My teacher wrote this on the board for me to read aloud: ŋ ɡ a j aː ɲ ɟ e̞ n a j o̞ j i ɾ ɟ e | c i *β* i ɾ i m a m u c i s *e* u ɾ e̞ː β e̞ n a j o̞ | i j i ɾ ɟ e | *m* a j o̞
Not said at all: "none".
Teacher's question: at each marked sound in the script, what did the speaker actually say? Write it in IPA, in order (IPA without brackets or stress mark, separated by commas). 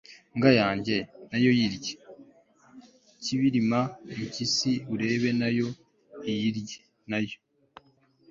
β, i, n